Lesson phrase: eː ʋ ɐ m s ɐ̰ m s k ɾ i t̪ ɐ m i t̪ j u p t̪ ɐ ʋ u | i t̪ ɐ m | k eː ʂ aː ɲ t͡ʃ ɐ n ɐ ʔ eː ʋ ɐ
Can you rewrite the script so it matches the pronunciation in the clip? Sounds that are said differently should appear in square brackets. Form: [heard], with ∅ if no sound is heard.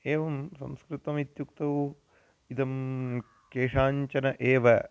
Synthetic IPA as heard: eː ʋ ɐ m s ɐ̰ m s k ɾ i t̪ ɐ m i t̪ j u [k] t̪ ɐ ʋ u | i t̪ ɐ m | k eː ʂ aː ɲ t͡ʃ ɐ n ɐ ʔ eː ʋ ɐ